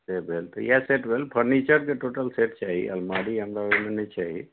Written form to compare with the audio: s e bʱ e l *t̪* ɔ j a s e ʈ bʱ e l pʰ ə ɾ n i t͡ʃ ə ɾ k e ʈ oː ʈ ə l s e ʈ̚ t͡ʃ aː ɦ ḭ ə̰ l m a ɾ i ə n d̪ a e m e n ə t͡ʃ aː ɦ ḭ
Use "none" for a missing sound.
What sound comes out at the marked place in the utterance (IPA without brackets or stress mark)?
t̪